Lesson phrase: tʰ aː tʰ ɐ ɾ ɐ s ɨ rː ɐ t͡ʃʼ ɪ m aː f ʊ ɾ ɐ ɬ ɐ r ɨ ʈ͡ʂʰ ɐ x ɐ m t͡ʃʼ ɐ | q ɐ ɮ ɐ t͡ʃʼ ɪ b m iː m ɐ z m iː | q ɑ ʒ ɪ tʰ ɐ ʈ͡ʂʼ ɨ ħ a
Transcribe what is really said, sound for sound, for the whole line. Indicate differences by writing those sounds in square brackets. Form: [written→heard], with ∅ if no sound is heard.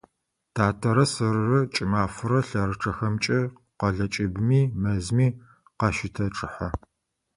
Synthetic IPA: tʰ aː tʰ ɐ ɾ ɐ s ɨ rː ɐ t͡ʃʼ ɪ m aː f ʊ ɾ ɐ ɬ ɐ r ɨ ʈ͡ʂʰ ɐ x ɐ m t͡ʃʼ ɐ | q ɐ ɮ ɐ t͡ʃʼ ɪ b m iː m ɐ z m iː | q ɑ [ʒ→ʃ] ɪ tʰ ɐ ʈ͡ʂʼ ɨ ħ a